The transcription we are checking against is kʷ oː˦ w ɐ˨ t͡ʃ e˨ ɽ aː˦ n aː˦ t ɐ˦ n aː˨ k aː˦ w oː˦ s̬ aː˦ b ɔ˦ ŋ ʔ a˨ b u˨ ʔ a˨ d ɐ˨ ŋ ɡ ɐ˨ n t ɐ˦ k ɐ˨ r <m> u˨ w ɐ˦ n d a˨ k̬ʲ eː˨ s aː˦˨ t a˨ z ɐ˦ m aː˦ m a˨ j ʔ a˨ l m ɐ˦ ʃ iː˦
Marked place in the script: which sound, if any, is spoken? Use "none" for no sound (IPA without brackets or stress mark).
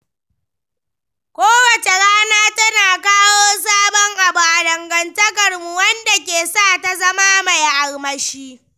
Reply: m